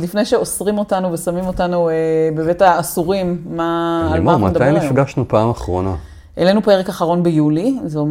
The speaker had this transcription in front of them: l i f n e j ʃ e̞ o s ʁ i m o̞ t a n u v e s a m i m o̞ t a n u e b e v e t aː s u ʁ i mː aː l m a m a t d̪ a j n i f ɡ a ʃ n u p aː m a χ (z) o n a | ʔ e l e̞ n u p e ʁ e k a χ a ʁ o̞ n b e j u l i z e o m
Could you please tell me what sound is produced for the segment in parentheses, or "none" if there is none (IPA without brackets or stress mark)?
ʁ